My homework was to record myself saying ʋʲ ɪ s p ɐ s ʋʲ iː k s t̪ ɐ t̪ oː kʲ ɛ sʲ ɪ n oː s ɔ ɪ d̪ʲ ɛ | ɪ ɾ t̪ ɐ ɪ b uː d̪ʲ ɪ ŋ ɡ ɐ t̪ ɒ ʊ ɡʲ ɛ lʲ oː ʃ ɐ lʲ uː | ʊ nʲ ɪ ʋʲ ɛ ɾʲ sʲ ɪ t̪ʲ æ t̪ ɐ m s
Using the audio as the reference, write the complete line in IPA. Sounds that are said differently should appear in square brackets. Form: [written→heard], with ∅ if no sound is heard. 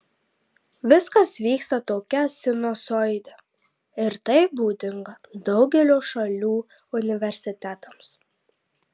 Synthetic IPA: ʋʲ ɪ s [p→k] ɐ s ʋʲ iː k s t̪ ɐ t̪ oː kʲ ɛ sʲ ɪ n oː s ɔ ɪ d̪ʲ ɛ | ɪ ɾ t̪ ɐ ɪ b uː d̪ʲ ɪ ŋ ɡ ɐ [t̪→d̪] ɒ ʊ ɡʲ ɛ lʲ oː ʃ ɐ lʲ uː | ʊ nʲ ɪ ʋʲ ɛ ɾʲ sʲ ɪ t̪ʲ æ t̪ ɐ m s